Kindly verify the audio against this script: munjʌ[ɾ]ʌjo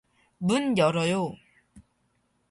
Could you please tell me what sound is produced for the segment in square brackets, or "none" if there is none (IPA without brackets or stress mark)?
ɾ